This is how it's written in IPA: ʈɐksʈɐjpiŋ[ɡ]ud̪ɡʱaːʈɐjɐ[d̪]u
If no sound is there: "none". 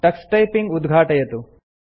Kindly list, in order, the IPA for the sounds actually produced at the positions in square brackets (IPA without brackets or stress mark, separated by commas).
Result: ɡ, t̪